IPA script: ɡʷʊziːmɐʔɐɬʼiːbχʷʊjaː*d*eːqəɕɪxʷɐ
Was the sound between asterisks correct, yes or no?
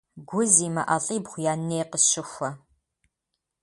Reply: no